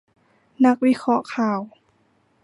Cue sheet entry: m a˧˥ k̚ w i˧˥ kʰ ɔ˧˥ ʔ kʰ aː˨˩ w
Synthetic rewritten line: n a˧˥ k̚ w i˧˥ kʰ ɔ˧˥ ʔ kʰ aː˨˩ w